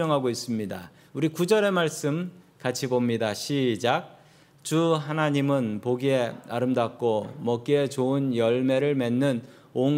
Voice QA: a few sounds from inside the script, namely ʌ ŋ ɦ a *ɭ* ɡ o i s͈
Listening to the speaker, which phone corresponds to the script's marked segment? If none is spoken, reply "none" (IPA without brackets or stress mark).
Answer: none